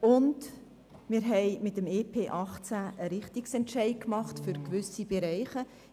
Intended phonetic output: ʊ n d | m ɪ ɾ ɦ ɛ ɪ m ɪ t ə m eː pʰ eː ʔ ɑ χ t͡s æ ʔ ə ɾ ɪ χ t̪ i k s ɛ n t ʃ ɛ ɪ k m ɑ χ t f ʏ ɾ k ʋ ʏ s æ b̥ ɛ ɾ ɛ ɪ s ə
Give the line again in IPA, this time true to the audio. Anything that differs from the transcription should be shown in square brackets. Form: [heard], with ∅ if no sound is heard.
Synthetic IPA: ʊ n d | m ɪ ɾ ɦ ɛ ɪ m ɪ t ə m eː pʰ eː ʔ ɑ χ t͡s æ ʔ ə ɾ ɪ χ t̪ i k s ɛ n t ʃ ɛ ɪ k m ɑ χ t f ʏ ɾ k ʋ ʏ s [i] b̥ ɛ ɾ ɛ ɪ [χ] ə